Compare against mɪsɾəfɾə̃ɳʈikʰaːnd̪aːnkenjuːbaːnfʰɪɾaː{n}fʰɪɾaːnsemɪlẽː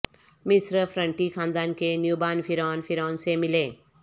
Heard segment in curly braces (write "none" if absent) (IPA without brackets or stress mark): n